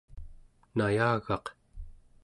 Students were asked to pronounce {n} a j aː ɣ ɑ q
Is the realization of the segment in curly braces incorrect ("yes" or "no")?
no